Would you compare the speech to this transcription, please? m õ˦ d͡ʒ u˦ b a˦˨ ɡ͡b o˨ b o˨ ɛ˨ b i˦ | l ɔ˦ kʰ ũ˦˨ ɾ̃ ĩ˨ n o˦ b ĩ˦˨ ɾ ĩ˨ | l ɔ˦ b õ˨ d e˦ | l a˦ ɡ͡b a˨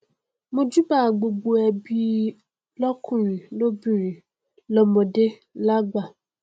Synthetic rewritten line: m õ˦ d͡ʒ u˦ b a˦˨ ɡ͡b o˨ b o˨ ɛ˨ b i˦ | l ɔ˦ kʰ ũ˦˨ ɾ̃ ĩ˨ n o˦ b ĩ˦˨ ɾ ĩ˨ | l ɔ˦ m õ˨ d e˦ | l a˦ ɡ͡b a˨

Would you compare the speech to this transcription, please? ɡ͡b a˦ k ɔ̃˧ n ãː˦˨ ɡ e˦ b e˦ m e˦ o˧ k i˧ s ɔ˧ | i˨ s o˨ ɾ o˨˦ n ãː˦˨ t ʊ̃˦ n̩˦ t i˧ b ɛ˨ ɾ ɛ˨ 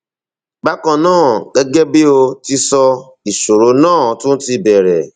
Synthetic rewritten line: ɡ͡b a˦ k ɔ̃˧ n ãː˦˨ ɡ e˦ ɡ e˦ b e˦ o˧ t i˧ s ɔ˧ | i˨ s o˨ ɾ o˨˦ n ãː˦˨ t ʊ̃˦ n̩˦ t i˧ b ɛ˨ ɾ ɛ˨

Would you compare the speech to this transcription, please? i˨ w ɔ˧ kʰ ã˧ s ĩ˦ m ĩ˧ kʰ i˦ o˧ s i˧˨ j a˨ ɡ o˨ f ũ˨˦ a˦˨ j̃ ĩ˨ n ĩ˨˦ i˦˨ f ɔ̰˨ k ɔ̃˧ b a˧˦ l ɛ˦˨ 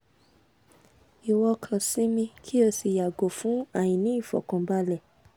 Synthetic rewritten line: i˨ w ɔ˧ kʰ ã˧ s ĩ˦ m ĩ˧ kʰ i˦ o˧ s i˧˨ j a˨ ɡ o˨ f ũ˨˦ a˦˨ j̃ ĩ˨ n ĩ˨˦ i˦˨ f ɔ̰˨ k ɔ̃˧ b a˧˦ l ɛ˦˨

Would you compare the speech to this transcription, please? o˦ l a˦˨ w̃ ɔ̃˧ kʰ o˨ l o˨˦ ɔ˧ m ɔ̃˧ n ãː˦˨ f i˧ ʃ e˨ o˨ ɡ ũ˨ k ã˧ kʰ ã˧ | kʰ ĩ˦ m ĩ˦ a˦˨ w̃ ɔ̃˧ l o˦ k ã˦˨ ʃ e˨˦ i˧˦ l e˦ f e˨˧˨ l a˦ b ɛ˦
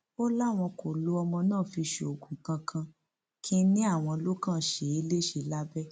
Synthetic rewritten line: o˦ l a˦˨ w̃ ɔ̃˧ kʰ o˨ l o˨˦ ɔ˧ m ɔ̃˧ n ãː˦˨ f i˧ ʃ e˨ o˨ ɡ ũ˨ k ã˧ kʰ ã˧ | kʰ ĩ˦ n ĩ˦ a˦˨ w̃ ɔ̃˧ l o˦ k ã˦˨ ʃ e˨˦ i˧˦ l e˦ ʃ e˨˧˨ l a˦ b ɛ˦

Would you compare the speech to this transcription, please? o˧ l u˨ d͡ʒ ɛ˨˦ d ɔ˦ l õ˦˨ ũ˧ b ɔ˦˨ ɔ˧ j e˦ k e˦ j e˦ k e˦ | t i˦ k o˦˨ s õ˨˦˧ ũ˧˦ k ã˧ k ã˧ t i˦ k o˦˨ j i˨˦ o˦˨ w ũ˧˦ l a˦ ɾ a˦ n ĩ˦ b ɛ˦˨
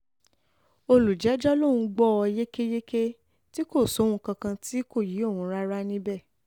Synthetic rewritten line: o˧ l u˨ d͡ʒ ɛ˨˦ d͡ʒ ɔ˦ l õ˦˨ ũ˧ ɡ͡b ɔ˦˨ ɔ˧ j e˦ k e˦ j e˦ k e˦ | t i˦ k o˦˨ s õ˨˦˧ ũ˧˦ k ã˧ k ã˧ t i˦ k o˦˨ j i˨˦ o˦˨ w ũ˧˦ ɾ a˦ ɾ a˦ n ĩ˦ b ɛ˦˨

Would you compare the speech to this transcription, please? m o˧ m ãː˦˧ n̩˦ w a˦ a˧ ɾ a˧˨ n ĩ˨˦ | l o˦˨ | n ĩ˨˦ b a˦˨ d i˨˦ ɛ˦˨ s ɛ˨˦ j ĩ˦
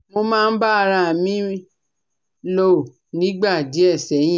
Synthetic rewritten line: m o˧ m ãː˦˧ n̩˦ b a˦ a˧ ɾ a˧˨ m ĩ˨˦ | l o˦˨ | n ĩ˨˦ ɡ͡b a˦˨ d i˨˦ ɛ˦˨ s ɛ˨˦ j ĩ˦

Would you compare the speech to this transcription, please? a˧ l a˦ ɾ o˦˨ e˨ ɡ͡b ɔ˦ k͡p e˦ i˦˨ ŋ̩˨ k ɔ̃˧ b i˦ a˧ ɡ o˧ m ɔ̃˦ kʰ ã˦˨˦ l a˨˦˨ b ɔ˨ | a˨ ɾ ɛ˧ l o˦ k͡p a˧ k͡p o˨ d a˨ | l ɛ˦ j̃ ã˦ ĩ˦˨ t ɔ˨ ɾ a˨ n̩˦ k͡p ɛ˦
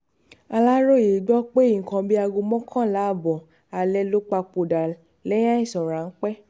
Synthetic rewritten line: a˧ l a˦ ɾ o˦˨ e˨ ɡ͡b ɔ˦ k͡p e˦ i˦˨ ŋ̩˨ k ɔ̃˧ b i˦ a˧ ɡ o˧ m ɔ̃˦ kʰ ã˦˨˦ l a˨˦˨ b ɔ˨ | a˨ l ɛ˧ l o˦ k͡p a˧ k͡p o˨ d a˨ | l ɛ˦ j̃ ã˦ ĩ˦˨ s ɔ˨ ɾ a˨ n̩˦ k͡p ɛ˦

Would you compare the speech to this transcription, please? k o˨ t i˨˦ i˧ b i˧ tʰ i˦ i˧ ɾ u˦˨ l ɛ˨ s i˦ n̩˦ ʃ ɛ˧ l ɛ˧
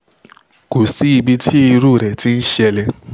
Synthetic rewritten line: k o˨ s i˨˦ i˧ b i˧ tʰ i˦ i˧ ɾ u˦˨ ɾ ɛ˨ t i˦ n̩˦ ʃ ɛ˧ l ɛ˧

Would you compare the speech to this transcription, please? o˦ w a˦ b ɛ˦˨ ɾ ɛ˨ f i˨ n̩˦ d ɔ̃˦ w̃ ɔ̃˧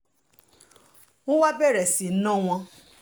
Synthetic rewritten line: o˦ w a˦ b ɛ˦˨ ɾ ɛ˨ s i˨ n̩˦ n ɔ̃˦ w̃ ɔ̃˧

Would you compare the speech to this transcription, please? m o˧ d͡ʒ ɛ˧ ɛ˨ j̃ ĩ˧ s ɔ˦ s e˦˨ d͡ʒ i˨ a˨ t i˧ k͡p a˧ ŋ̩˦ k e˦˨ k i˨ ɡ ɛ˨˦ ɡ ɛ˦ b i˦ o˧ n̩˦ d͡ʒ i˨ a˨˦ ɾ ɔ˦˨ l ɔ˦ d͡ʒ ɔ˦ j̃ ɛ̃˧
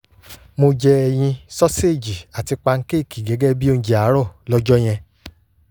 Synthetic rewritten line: m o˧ d͡ʒ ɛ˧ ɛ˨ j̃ ĩ˧ s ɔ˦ s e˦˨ d͡ʒ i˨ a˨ t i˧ k͡p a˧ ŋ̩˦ k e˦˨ k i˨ ɡ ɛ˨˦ ɡ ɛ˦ b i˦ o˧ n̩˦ d͡ʒ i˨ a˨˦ ɾ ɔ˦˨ l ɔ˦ d͡ʒ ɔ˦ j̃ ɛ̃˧

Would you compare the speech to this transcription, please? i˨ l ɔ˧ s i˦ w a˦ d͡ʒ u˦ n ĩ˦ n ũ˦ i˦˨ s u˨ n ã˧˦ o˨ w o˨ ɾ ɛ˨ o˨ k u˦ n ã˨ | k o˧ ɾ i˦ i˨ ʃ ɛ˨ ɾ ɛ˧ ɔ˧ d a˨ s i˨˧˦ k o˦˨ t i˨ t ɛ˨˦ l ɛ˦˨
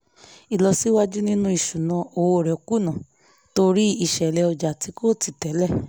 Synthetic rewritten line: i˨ l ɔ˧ s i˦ w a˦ d͡ʒ u˦ n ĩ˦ n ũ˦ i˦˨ ʃ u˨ n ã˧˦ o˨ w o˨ ɾ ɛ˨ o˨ k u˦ n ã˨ | t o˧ ɾ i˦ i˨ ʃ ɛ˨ l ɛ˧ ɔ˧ d͡ʒ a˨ t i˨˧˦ k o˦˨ t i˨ t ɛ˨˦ l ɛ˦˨

